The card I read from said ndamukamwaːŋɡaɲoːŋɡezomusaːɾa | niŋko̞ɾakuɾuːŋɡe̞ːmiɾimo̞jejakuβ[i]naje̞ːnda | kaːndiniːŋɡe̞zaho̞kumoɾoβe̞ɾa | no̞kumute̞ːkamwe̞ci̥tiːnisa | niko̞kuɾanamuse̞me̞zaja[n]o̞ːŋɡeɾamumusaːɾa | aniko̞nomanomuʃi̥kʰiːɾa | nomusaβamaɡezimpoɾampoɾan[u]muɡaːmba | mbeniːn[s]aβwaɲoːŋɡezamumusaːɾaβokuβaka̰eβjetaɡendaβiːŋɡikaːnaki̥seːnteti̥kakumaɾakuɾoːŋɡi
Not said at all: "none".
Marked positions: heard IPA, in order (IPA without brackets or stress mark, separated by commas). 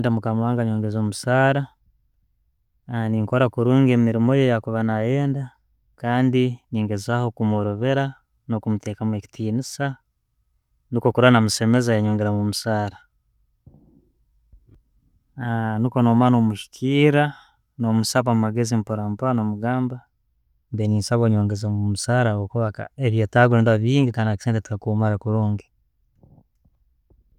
a, ɲ, o, s